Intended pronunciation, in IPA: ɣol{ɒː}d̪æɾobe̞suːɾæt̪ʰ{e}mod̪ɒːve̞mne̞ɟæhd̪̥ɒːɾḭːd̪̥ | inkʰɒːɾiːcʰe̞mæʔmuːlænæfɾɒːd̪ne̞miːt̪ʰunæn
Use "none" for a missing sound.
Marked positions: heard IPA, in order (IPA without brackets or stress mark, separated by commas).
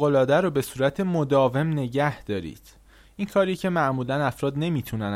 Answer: ɒː, e